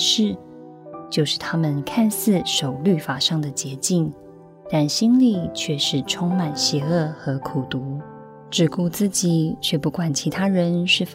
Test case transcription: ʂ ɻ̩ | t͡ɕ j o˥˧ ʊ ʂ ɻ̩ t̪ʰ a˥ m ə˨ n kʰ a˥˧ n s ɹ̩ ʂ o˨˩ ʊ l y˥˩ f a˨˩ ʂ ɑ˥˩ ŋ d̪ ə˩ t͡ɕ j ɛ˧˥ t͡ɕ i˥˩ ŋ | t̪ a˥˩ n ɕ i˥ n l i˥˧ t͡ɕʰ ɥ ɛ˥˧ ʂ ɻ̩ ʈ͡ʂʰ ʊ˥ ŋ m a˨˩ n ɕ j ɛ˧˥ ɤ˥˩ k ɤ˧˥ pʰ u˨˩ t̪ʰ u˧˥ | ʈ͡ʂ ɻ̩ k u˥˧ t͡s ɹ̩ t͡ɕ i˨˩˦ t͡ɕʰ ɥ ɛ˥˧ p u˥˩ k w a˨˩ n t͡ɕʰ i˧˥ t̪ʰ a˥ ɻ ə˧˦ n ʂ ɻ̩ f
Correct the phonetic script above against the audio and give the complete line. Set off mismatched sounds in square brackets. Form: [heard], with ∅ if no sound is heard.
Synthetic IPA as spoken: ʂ ɻ̩ | t͡ɕ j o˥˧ ʊ ʂ ɻ̩ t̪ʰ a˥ m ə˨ n kʰ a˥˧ n s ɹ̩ ʂ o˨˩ ʊ l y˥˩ f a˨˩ ʂ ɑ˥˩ ŋ d̪ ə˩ t͡ɕ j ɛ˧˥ t͡ɕ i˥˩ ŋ | t̪ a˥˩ n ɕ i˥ n l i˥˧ t͡ɕʰ ɥ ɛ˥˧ ʂ ɻ̩ ʈ͡ʂʰ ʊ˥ ŋ m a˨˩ n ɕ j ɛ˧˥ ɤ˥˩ [x] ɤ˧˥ [kʰ] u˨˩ [t̪] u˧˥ | ʈ͡ʂ ɻ̩ k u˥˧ t͡s ɹ̩ t͡ɕ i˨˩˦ t͡ɕʰ ɥ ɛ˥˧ p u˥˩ k w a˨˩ n t͡ɕʰ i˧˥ t̪ʰ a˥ ɻ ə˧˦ n ʂ ɻ̩ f